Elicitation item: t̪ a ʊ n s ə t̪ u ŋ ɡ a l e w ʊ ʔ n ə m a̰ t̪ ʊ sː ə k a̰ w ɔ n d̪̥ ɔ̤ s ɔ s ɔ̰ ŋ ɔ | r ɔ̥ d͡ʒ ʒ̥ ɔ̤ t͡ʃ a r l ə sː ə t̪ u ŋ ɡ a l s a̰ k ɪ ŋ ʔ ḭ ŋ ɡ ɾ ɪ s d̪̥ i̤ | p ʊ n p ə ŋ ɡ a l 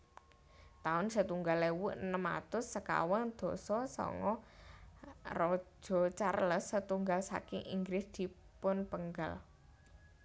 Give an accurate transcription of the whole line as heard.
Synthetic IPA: t̪ a ʊ n s ə t̪ u ŋ ɡ a l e w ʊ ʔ n ə m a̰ t̪ ʊ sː ə k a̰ w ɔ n d̪̥ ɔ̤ s ɔ s ɔ̰ ŋ ɔ | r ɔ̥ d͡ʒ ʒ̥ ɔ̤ t͡ʃ a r l ə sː ə t̪ u ŋ ɡ a l s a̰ k ɪ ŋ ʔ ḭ ŋ ɡ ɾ ɪ s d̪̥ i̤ | p ʊ n p ə ŋ ɡ a l